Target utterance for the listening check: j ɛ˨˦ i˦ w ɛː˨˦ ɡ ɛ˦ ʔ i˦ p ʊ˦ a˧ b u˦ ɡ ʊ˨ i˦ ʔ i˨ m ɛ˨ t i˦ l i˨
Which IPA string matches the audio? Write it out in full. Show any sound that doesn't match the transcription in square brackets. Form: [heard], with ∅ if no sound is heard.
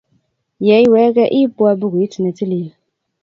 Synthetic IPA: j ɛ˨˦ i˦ w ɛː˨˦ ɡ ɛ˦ ʔ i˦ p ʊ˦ a˧ b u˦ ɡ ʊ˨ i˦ [t] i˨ [n] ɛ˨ t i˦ l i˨